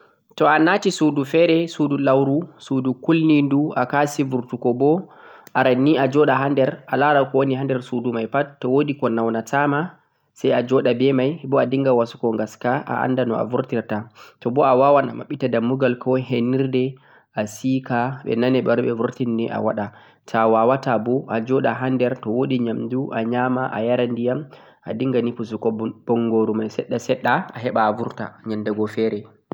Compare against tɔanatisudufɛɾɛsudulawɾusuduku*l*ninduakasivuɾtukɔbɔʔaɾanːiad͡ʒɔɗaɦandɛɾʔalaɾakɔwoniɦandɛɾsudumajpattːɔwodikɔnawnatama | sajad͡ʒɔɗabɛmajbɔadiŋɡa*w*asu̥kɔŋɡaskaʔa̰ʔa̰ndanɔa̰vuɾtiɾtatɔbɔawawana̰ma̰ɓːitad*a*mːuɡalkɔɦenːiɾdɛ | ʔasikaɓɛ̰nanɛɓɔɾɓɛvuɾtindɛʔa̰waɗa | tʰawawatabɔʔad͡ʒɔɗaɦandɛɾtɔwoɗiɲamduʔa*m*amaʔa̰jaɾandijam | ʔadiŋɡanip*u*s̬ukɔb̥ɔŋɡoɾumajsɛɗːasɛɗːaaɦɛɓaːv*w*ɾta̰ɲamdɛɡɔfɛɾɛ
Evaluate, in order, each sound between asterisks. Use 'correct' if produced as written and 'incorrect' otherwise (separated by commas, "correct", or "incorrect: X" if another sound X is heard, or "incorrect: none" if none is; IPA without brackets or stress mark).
correct, correct, correct, incorrect: ɲ, correct, incorrect: u